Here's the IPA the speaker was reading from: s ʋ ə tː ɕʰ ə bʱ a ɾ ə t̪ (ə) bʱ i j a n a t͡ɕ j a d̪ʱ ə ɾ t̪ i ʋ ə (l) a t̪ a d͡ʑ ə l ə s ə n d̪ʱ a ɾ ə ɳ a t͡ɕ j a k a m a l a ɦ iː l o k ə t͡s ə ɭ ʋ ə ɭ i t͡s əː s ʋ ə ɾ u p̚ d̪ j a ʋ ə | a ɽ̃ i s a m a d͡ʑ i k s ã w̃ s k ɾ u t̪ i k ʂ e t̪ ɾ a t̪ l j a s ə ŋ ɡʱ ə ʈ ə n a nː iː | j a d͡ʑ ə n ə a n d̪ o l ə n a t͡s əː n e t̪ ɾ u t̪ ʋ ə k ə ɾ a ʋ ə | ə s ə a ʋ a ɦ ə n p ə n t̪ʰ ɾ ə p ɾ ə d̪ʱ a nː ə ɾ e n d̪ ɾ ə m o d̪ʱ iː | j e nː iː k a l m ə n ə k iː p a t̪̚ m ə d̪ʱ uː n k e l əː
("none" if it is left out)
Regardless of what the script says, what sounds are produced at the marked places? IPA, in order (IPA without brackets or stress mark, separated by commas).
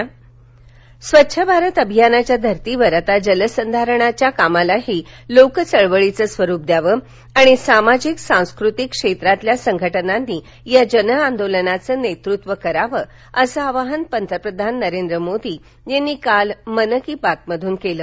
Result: ə, ɾ